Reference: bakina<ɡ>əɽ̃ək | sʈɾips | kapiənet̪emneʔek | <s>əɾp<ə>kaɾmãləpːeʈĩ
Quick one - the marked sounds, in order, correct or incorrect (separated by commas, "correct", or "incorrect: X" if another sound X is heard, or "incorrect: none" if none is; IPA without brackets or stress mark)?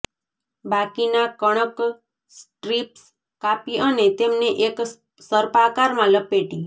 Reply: incorrect: k, correct, incorrect: a